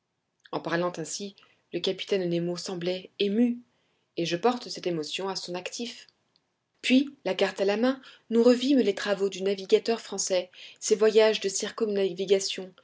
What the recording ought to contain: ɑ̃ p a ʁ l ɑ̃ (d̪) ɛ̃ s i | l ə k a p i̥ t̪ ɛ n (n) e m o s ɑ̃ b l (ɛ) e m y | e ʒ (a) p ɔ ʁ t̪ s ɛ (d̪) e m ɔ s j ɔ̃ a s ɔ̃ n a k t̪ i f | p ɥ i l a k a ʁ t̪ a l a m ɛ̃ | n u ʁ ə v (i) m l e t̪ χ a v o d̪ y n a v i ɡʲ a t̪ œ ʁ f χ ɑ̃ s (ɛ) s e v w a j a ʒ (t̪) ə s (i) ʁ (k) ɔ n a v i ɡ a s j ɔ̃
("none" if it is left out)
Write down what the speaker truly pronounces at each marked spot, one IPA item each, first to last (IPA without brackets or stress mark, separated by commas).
t̪, n, ɛ, ə, t̪, i, ɛ, d̪, i, k